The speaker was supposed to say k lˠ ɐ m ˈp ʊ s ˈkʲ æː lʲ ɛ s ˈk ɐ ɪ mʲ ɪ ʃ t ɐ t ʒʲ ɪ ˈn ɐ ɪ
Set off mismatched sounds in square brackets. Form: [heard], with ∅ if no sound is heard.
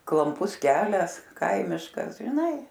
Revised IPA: k lˠ ɐ m ˈp ʊ s ˈkʲ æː lʲ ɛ s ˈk ɐ ɪ mʲ ɪ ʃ [k] ɐ [s] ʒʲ ɪ ˈn ɐ ɪ

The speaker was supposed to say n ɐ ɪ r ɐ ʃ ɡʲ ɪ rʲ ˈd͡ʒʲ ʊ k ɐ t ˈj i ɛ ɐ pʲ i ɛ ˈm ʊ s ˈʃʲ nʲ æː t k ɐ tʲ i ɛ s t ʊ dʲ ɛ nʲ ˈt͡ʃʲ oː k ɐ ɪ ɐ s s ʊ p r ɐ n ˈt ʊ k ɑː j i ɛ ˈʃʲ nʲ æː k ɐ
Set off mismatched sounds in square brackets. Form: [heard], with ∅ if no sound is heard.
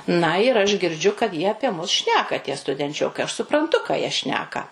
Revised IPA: n ɐ ɪ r ɐ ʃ ɡʲ ɪ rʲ ˈd͡ʒʲ ʊ k ɐ t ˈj i ɛ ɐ pʲ i ɛ ˈm ʊ s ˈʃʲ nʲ æː [∅] k ɐ tʲ i ɛ s t ʊ dʲ ɛ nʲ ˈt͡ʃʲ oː k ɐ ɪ ɐ [ʃ] s ʊ p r ɐ n ˈt ʊ k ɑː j i ɛ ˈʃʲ nʲ æː k ɐ

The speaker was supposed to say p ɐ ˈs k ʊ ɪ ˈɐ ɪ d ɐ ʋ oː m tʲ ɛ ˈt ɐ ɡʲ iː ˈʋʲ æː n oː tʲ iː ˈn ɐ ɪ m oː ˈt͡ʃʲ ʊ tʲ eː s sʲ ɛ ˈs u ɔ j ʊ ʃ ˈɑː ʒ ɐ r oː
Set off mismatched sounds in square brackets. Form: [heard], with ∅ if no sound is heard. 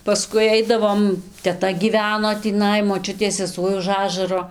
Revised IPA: p ɐ ˈs k ʊ ɪ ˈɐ ɪ d ɐ ʋ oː m tʲ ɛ ˈt ɐ ɡʲ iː ˈʋʲ æː n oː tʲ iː ˈn ɐ ɪ m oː ˈt͡ʃʲ ʊ tʲ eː s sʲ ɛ ˈs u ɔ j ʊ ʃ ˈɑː ʒ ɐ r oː

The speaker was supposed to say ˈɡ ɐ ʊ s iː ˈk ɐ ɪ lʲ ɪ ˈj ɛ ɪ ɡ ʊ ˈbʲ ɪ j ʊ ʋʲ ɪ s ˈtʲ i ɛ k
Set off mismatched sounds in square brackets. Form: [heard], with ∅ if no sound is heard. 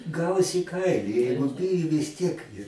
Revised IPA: ˈɡ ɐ ʊ s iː ˈk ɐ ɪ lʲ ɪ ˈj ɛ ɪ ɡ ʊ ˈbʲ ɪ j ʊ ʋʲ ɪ s ˈtʲ i ɛ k

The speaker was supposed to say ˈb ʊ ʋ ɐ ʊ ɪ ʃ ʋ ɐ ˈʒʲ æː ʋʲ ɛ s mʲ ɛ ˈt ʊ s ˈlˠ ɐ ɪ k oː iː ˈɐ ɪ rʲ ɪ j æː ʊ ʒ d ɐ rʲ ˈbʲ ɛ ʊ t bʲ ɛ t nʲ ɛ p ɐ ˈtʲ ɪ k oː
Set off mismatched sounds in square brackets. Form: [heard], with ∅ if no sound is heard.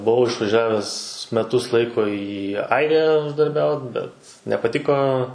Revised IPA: ˈb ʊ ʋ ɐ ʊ ɪ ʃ ʋ ɐ ˈʒʲ æː ʋʲ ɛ s mʲ ɛ ˈt ʊ s ˈlˠ ɐ ɪ k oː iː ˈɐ ɪ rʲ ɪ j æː ʊ ʒ d ɐ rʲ ˈbʲ ɛ ʊ t bʲ ɛ t nʲ ɛ p ɐ ˈtʲ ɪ k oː

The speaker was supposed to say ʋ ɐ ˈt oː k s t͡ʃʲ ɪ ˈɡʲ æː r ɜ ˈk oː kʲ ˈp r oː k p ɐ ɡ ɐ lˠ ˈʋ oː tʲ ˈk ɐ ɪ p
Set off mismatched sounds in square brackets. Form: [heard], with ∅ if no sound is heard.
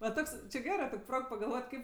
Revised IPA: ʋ ɐ ˈt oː k s t͡ʃʲ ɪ ˈɡʲ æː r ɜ [ˈt] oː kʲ ˈp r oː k p ɐ ɡ ɐ lˠ ˈʋ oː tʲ ˈk ɐ ɪ p

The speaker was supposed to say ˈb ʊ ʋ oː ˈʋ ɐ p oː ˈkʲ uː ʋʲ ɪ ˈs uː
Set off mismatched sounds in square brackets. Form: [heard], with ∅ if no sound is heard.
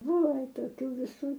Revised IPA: ˈb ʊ ʋ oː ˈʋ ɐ [t] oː ˈkʲ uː ʋʲ ɪ ˈs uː

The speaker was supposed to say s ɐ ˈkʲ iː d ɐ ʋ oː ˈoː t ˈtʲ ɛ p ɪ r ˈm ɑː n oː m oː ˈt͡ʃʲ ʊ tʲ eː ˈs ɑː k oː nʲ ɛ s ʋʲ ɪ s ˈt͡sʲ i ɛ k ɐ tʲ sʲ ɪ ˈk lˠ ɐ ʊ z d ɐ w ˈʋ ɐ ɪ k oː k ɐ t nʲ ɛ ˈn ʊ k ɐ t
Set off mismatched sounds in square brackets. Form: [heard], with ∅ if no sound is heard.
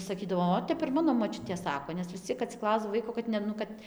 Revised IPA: s ɐ ˈkʲ iː d ɐ ʋ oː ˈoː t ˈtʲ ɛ p ɪ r ˈm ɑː n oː m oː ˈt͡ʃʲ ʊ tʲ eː ˈs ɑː k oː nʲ ɛ s ʋʲ ɪ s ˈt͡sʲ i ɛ k ɐ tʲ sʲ ɪ ˈk lˠ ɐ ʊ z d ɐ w ˈʋ ɐ ɪ k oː k ɐ t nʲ ɛ ˈn ʊ k ɐ t

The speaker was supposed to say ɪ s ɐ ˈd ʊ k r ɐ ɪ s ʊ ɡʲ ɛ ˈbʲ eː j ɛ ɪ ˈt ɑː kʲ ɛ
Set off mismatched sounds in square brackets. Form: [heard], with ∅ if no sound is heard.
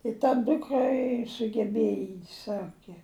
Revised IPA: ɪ [t] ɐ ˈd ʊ k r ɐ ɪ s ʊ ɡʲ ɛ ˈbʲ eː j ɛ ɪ [ˈs] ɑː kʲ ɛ

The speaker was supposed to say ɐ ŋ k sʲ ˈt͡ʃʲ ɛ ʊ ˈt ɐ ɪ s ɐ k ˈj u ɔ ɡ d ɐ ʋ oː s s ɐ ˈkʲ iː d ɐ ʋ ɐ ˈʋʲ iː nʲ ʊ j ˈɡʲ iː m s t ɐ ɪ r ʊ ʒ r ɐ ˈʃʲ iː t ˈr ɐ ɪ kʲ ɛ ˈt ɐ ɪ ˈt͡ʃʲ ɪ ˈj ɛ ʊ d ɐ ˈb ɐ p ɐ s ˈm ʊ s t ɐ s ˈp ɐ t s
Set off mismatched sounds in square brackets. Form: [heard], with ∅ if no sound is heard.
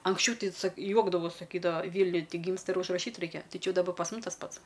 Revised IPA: ɐ ŋ k sʲ ˈt͡ʃʲ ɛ ʊ ˈt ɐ ɪ s ɐ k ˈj u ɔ ɡ d ɐ ʋ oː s s ɐ ˈkʲ iː d ɐ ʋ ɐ ˈʋʲ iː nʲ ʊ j ˈɡʲ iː m s t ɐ ɪ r ʊ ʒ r ɐ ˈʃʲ iː t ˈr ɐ ɪ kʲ ɛ ˈt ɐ ɪ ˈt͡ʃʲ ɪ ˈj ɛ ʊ d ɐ ˈb ɐ p ɐ s ˈm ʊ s t ɐ s ˈp ɐ t s

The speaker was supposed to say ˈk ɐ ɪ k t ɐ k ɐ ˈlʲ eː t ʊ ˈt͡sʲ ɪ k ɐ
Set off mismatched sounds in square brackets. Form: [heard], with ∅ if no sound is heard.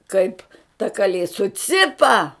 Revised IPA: ˈk ɐ ɪ [p] t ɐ k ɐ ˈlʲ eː [s] ʊ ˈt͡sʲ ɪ [p] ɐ

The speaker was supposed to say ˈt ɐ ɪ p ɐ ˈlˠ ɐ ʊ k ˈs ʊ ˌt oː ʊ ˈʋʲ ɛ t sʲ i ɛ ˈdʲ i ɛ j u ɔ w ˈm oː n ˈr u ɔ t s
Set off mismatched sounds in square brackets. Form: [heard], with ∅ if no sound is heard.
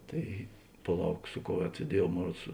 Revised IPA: ˈt ɐ ɪ p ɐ ˈlˠ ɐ ʊ k ˈs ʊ [ˌk] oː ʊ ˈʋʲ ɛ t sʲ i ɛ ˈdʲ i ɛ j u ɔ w ˈm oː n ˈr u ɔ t s

